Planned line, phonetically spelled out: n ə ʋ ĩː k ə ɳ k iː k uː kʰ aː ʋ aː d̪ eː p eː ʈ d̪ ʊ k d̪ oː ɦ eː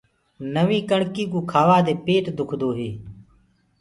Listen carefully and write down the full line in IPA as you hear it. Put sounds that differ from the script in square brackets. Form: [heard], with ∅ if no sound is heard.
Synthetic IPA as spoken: n ə ʋ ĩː k ə ɳ k iː k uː kʰ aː ʋ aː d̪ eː p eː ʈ d̪ ʊ [kʰ] d̪ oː ɦ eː

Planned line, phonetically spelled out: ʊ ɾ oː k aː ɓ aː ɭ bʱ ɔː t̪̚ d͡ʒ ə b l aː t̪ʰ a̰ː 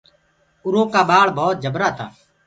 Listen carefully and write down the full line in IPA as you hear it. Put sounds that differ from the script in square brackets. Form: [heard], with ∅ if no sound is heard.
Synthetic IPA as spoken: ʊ ɾ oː k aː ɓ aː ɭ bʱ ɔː t̪̚ d͡ʒ ə b [ɾ] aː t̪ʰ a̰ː

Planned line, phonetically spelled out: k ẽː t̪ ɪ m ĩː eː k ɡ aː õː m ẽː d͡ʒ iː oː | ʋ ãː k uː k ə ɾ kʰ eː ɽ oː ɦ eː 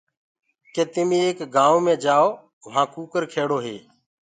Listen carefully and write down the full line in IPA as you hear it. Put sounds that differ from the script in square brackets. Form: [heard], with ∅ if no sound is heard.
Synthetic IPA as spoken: k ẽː t̪ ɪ m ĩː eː k ɡ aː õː m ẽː d͡ʒ [aː] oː | ʋ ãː k uː k ə ɾ kʰ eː ɽ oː ɦ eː

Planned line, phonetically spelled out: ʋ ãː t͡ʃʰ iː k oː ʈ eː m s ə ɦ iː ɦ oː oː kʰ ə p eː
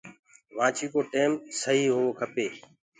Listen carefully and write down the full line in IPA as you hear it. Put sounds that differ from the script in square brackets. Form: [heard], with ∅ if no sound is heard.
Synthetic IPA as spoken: ʋ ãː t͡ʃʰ iː k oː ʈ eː m s ə ɦ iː ɦ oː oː kʰ ə p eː

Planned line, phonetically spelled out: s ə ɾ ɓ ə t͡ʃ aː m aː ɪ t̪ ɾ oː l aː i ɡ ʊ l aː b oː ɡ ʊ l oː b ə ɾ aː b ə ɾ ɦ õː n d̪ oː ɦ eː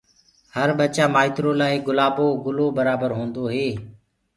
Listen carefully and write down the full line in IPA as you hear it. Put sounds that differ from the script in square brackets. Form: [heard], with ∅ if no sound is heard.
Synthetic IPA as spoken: [h] ə ɾ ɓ ə t͡ʃ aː m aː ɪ t̪ ɾ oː l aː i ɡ ʊ l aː b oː ɡ ʊ l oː b ə ɾ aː b ə ɾ ɦ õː n d̪ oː ɦ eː

